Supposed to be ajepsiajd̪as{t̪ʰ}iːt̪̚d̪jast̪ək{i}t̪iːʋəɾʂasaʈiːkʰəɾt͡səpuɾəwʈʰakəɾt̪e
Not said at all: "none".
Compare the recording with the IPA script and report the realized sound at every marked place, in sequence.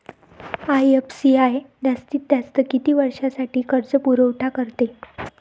t̪, i

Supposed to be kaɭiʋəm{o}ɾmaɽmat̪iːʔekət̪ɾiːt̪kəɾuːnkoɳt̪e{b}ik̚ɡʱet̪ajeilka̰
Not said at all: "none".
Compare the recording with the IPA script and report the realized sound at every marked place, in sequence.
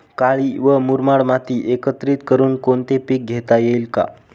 u, p

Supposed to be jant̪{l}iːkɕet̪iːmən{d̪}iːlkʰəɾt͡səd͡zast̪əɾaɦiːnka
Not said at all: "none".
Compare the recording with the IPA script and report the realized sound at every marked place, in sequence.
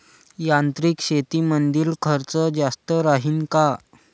ɾ, d̪

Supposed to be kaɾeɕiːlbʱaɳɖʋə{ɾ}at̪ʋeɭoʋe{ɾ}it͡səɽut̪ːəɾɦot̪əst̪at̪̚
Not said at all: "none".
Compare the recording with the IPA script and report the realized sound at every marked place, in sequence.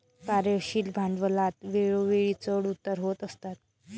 l, ɭ

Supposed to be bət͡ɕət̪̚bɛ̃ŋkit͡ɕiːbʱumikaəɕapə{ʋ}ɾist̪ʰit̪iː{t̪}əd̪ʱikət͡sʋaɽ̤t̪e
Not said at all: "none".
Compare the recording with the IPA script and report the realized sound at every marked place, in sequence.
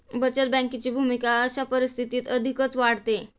none, t̪

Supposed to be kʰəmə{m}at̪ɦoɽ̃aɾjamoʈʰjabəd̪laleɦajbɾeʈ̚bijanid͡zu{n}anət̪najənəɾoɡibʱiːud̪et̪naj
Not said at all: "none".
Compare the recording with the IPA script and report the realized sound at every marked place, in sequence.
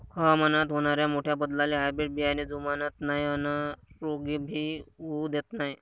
n, m

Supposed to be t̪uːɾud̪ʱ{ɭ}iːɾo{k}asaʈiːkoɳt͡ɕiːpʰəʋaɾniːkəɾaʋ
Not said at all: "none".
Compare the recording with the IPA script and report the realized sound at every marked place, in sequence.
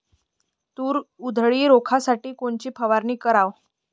ɭ, kʰ

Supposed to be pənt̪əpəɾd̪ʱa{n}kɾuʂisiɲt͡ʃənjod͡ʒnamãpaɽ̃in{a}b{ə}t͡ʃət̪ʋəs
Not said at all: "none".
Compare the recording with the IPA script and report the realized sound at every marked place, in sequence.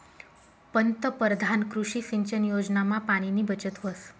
n, i, ə

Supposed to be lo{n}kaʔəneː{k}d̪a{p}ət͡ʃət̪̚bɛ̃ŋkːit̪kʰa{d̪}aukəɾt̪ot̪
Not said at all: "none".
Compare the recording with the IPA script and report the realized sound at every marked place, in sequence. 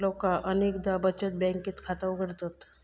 none, k, b, t̪

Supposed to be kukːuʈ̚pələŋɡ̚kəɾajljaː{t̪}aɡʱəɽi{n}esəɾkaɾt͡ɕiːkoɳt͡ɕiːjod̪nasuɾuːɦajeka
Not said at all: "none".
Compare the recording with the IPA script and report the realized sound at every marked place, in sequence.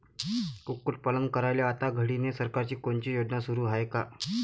t̪, n

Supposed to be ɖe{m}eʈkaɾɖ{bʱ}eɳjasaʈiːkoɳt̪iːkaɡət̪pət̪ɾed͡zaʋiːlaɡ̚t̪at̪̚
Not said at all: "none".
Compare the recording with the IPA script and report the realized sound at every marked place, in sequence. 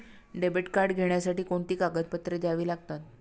b, ɡʱ

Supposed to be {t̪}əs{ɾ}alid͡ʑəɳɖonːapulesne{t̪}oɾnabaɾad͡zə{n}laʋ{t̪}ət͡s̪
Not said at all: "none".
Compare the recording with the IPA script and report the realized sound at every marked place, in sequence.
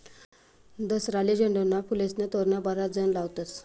d̪, ɾ, t̪, n, t̪

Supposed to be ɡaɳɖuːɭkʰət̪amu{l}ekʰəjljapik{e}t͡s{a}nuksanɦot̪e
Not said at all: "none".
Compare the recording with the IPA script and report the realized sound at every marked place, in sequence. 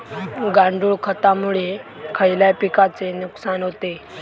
ɭ, a, e

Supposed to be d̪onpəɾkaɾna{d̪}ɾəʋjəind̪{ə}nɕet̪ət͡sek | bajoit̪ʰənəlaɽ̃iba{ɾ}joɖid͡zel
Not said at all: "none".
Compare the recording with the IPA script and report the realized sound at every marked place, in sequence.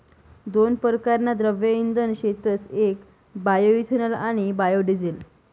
d̪, ə, none

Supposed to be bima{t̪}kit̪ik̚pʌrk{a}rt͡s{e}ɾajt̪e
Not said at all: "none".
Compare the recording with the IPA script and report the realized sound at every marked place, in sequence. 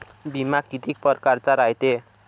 none, a, a

